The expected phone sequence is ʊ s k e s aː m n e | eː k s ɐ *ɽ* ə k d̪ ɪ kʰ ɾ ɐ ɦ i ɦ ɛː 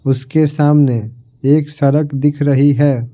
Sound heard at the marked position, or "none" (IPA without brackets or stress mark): ɾ